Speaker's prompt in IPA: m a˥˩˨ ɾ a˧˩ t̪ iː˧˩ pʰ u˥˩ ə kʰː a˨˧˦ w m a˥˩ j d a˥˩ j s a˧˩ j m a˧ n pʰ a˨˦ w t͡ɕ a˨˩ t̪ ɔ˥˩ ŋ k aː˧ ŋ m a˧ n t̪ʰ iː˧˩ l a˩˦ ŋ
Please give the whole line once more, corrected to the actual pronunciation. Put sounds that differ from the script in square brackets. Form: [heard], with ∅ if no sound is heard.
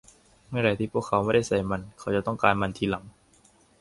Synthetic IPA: m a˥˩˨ ɾ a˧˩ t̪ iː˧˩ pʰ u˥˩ ə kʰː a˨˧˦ w m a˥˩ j d a˥˩ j s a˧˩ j m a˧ n [kʰ] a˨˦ w t͡ɕ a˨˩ t̪ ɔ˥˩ ŋ k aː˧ [n] m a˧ n t̪ʰ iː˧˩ l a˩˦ ŋ